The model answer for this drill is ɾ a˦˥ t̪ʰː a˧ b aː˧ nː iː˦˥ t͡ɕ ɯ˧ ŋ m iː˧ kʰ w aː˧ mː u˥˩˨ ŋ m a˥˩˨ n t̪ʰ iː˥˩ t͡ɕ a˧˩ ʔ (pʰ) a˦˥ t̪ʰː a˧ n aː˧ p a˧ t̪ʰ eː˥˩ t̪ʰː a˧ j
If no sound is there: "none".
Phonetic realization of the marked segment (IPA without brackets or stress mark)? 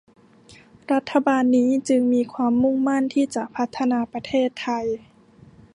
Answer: pʰ